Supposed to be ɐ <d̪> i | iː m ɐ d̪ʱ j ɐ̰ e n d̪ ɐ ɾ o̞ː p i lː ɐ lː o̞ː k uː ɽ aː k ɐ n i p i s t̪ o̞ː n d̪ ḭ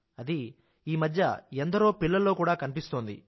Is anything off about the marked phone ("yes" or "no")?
no